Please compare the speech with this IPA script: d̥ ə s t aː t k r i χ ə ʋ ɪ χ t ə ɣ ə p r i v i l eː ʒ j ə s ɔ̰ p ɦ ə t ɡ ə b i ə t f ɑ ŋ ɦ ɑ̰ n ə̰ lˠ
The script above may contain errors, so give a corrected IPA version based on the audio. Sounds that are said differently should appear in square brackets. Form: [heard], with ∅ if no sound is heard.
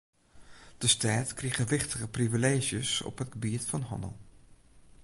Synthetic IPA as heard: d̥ ə s t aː t k r i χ ə ʋ ɪ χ t ə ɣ ə p r i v i l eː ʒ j ə s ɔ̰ p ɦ ə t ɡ ə b i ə t f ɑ [n] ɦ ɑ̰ n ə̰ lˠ

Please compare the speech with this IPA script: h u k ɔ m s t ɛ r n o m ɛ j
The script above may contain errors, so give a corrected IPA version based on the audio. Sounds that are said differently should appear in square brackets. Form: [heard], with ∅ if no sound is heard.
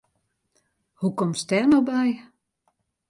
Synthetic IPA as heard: h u k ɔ m s t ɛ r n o [b] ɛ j

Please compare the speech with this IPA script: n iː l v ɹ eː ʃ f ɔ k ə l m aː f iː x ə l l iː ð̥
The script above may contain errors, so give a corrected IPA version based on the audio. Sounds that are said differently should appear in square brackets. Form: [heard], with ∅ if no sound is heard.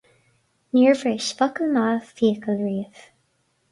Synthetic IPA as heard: n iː [ɹ] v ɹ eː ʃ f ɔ k ə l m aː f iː [k] ə l [ɹ] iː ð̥

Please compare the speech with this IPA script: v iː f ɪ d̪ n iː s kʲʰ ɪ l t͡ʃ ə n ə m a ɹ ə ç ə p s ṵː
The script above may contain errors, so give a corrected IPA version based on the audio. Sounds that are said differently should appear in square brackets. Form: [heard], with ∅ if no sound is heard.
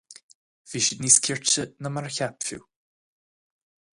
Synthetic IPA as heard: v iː [ʃ] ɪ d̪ n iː s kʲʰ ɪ [ɹ] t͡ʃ ə n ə m a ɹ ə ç [a] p [f] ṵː

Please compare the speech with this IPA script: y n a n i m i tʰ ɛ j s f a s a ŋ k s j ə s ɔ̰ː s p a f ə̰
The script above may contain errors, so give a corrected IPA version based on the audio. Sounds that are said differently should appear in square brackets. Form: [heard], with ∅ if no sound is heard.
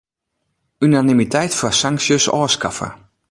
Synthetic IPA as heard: y n a n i m i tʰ ɛ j [t] f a s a ŋ k s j ə s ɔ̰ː s [k] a f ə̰

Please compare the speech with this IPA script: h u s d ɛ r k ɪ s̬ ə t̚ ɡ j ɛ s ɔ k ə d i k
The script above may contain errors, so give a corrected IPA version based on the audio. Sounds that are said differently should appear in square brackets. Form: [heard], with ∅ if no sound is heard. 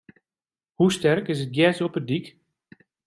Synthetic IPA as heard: h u s [t] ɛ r k ɪ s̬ ə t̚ ɡ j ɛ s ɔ [p] ə d i k

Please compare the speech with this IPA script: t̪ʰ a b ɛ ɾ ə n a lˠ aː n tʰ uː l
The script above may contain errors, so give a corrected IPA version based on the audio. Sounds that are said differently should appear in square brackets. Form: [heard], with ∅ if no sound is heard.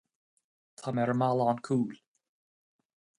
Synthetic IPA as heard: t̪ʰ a [m] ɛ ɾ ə [m] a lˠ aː n [kʰ] uː l

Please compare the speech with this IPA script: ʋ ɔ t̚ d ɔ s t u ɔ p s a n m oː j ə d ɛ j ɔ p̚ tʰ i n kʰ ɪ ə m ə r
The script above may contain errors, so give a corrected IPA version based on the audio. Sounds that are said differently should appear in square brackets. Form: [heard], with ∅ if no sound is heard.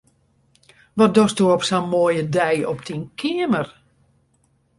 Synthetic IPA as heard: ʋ ɔ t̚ d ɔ s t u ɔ p s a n m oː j ə d ɛ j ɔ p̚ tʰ i n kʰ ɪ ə m ə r

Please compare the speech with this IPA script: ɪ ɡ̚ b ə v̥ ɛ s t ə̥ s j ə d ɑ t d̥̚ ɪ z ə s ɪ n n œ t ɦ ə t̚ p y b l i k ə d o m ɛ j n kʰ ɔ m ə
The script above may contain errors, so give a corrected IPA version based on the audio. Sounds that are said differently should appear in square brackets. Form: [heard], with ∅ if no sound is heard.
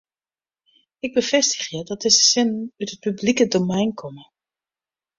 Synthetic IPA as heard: ɪ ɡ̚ b ə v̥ ɛ s t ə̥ [χ] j ə d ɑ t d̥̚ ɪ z ə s ɪ n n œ t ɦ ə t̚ p y b l i k ə d o m ɛ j n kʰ ɔ m ə

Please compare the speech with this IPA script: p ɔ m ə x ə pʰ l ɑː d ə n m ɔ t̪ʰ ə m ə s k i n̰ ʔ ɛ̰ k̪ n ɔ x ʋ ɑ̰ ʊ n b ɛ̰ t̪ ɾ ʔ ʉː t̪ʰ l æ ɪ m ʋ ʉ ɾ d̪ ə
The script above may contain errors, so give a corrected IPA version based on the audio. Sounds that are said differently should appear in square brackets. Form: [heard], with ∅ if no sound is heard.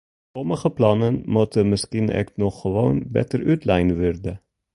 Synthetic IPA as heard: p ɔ m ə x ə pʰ l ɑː [n] ə n m ɔ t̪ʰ ə m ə s k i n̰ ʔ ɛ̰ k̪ n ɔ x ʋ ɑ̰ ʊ n b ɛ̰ t̪ ɾ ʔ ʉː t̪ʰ l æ ɪ [n] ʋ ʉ ɾ d̪ ə

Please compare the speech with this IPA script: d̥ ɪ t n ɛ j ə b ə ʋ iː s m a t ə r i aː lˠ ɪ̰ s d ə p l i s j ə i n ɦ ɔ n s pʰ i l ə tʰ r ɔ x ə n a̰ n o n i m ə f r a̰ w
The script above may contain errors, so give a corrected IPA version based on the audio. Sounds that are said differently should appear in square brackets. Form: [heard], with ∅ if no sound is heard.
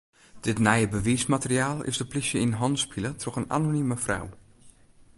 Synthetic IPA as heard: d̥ ɪ t n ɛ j ə b ə ʋ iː s m a t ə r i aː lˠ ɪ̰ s d ə p l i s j ə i n ɦ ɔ n s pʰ i l ə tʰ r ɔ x ə n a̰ n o n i m ə f r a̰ w

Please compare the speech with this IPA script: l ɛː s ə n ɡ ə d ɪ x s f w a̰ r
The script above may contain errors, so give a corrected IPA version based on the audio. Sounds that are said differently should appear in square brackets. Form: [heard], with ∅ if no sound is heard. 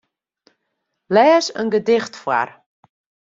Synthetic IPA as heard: l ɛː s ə n ɡ ə d ɪ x [t] f w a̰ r

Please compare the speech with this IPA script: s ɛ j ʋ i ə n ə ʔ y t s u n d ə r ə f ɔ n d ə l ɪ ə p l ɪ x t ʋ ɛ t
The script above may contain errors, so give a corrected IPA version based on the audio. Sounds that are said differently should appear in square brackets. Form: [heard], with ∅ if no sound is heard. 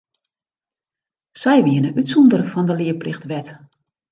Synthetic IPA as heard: s ɛ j ʋ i ə n ə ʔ y t s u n d ə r ə f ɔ n d ə l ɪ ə p l ɪ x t ʋ ɛ t

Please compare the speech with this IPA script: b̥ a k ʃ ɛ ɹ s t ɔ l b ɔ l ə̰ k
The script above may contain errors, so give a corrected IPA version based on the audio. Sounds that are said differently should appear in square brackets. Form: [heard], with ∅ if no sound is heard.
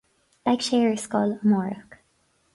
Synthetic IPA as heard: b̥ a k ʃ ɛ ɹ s [k] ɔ l [m] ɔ [ɹ] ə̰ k

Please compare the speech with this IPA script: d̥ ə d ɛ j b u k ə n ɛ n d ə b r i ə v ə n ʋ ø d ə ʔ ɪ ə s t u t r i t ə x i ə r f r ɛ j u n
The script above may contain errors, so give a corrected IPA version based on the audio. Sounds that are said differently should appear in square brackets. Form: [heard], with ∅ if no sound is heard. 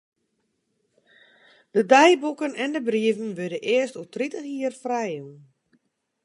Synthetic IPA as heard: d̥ ə d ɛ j b u k ə n ɛ n d ə b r i ə v ə n ʋ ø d ə ʔ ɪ ə s t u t r i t ə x i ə r f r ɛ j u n

